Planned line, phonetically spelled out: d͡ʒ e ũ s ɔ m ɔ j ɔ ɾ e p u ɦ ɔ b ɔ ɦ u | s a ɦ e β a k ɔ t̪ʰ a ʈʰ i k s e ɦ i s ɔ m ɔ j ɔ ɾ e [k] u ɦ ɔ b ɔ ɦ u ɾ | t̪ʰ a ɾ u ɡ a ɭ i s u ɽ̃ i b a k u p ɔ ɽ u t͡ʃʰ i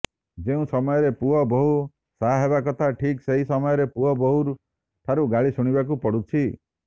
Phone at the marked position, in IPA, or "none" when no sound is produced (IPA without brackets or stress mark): p